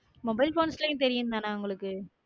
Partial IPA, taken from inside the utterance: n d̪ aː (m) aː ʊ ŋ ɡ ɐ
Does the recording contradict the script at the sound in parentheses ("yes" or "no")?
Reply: yes